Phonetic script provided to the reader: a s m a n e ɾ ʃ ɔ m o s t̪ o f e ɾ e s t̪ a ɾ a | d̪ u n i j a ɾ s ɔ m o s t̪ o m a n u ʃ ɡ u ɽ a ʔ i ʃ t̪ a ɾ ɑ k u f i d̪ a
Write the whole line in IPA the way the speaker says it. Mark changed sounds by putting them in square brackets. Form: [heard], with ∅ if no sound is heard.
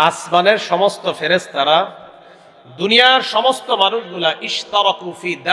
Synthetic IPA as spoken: a s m a n e ɾ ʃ ɔ m o s t̪ o f e ɾ e s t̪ a ɾ a | d̪ u n i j a ɾ [ʃ] ɔ m o s t̪ o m a n u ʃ ɡ u [l] a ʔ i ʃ t̪ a ɾ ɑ k u f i d̪ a